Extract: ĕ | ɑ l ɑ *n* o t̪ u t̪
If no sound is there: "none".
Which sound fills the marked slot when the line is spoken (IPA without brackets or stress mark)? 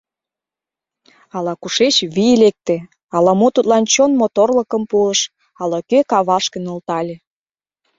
m